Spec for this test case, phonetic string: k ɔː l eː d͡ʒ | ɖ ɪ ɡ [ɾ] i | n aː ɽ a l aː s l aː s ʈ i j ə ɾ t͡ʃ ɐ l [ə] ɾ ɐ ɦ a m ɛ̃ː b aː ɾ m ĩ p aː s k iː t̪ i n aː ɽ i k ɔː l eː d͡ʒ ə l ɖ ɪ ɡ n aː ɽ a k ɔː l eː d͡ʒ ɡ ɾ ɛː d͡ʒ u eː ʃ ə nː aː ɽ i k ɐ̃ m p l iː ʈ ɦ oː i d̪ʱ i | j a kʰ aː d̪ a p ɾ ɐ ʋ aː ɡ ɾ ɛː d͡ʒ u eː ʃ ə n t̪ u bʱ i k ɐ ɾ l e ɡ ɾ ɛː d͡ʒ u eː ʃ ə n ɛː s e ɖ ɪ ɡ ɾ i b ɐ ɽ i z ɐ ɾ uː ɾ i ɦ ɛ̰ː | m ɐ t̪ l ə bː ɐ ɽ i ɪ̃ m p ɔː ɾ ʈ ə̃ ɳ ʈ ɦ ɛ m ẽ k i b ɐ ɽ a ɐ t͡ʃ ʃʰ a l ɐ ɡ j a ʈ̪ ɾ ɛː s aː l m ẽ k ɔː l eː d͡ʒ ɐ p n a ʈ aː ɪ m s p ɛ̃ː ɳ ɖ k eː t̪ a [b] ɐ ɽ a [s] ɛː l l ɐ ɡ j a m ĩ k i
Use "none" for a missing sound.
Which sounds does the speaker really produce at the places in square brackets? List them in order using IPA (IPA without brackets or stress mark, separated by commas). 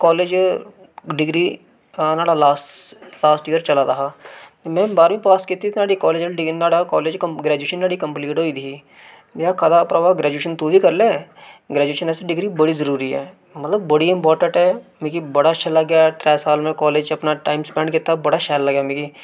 ɾ, a, b, ʃ